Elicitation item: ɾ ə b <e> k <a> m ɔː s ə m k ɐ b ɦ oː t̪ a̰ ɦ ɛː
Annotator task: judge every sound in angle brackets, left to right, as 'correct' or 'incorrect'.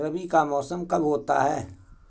incorrect: i, correct

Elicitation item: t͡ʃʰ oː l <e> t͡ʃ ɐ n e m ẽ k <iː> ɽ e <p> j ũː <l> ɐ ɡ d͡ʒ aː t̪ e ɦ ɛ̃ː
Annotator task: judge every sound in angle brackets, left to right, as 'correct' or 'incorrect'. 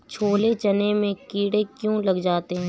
correct, correct, incorrect: k, correct

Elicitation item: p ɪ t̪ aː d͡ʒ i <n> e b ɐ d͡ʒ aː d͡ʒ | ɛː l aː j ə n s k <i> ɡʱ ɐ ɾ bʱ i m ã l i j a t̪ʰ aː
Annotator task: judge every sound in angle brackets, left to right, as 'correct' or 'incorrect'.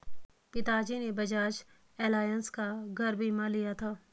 correct, incorrect: a

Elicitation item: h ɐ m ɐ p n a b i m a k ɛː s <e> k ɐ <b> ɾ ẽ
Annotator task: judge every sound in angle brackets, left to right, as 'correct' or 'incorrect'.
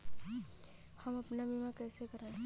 correct, incorrect: none

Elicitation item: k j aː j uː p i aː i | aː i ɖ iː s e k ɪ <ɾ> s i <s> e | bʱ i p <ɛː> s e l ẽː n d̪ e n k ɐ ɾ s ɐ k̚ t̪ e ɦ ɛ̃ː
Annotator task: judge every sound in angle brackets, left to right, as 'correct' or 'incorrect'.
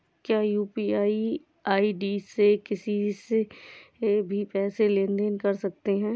incorrect: none, correct, correct

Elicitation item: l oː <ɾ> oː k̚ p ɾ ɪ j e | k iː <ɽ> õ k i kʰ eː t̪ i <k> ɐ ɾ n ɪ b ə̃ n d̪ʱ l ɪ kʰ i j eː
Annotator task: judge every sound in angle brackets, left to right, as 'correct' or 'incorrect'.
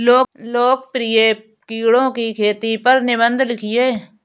incorrect: l, correct, incorrect: p

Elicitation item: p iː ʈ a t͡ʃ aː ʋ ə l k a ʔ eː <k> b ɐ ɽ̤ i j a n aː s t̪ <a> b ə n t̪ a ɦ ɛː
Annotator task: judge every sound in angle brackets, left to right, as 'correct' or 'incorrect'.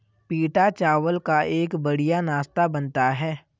correct, correct

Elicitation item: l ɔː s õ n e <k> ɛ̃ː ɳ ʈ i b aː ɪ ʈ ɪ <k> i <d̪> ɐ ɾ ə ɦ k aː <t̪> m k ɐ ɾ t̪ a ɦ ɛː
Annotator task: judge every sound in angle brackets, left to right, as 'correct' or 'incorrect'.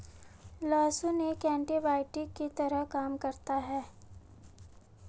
correct, correct, incorrect: t̪, incorrect: none

